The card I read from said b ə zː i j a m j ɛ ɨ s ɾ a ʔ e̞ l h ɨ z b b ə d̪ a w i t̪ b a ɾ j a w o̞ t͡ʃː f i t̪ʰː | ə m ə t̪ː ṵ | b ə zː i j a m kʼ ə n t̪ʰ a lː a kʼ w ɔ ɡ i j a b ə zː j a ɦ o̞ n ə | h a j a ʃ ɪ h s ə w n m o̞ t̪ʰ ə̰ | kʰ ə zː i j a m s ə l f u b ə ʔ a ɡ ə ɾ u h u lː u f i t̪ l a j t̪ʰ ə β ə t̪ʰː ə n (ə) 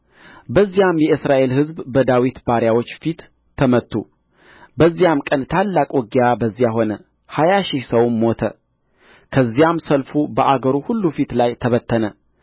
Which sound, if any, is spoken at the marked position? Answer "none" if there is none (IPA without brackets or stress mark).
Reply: ə